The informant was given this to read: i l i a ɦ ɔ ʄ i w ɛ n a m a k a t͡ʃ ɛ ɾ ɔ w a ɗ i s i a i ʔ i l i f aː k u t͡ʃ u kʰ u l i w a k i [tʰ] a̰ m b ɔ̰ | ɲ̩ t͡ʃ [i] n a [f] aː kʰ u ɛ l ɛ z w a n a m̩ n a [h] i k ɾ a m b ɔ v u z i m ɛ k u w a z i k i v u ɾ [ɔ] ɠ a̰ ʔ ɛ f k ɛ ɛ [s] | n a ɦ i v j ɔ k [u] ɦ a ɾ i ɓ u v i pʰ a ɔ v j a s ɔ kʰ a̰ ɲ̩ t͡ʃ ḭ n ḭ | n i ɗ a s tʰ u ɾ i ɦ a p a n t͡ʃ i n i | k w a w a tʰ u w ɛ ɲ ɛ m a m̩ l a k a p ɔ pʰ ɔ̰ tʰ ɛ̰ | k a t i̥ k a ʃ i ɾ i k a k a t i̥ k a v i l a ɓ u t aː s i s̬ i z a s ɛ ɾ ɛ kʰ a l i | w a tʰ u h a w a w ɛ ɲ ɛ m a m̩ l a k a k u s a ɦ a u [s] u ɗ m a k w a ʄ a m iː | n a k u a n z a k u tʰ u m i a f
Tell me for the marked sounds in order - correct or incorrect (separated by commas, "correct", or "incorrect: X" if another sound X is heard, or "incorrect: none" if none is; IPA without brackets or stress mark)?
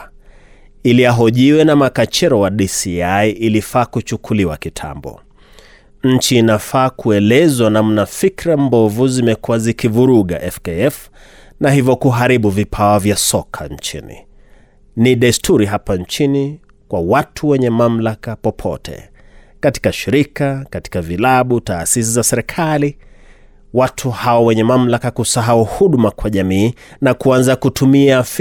correct, incorrect: iː, correct, incorrect: f, incorrect: u, incorrect: f, correct, incorrect: h